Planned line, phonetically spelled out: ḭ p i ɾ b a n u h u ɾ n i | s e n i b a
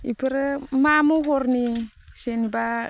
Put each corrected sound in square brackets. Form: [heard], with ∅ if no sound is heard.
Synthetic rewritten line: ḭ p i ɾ [m] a [m] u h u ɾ n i | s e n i b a